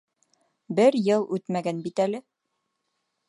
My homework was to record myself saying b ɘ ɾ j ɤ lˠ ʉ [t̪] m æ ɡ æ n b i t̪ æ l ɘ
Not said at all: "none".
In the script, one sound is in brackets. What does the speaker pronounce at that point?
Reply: t̪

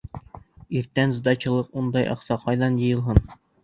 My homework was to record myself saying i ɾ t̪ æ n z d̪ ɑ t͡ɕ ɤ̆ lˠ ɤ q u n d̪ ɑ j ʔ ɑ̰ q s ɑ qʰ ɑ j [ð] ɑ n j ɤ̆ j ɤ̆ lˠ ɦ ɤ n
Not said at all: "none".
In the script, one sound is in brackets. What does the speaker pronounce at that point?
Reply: ð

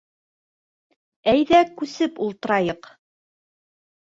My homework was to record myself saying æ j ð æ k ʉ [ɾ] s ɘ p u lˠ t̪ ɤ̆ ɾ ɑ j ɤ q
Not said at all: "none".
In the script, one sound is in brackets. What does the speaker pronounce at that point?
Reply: none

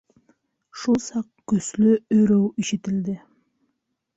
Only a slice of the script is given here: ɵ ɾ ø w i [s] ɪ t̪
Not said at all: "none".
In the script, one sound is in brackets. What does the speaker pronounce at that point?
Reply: ʃ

